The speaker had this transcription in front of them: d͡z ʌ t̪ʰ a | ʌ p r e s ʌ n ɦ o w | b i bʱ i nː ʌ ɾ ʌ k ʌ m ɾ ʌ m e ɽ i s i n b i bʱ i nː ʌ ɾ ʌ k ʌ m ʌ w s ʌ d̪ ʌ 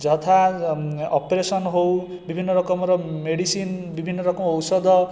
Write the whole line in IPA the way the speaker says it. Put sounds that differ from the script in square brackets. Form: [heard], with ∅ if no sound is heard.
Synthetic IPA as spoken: d͡z ʌ t̪ʰ a | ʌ p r e s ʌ n ɦ o w | b i bʱ i nː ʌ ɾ ʌ k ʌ m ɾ ʌ m e ɽ i s i n b i bʱ i nː ʌ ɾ ʌ k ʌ m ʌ w s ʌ d̪ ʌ